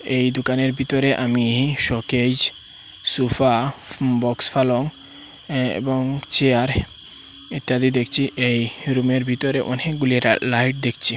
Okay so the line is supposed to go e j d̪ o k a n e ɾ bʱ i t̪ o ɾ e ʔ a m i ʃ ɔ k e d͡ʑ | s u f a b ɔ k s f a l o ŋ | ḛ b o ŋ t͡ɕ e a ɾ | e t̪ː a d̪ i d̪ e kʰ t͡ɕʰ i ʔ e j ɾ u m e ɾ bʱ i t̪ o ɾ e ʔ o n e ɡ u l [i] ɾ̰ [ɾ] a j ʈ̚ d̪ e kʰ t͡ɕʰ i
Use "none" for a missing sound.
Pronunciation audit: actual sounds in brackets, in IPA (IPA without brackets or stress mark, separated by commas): i, l